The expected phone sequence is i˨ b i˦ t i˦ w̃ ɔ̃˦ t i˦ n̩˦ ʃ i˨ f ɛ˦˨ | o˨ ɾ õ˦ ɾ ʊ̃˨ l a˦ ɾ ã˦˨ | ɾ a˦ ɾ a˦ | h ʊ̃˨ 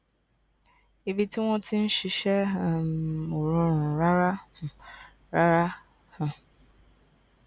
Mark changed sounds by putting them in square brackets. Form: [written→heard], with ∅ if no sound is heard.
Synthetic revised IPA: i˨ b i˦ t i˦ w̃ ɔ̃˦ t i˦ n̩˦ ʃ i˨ [f→ʃ] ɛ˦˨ | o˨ ɾ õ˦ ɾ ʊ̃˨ [l→ɾ] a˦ ɾ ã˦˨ | ɾ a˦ ɾ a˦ | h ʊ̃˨